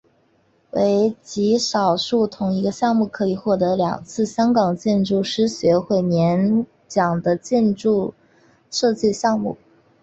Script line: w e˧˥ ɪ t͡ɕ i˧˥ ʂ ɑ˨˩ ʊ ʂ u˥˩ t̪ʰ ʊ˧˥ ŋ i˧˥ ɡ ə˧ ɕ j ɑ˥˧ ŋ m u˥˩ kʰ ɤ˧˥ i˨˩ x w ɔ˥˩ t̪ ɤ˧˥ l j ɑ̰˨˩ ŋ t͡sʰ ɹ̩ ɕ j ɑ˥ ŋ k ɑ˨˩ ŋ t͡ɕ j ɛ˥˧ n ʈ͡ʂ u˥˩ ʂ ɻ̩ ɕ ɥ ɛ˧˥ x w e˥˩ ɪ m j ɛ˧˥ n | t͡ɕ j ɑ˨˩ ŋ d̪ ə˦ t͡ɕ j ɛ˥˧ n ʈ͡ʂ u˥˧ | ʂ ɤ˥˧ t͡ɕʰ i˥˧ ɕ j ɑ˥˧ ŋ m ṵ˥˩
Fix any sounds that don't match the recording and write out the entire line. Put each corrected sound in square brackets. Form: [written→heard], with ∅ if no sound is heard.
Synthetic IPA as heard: w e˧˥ ɪ t͡ɕ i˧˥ ʂ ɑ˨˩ ʊ ʂ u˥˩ t̪ʰ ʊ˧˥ ŋ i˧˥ ɡ ə˧ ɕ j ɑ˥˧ ŋ m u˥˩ kʰ ɤ˧˥ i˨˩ x w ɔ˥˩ t̪ ɤ˧˥ l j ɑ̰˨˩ ŋ t͡sʰ ɹ̩ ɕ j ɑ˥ ŋ k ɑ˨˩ ŋ t͡ɕ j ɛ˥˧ n ʈ͡ʂ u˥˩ ʂ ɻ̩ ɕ ɥ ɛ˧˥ x w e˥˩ ɪ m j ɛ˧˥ n | t͡ɕ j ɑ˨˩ ŋ d̪ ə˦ t͡ɕ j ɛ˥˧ n ʈ͡ʂ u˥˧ | ʂ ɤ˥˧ [t͡ɕʰ→t͡ɕ] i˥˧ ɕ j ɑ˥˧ ŋ m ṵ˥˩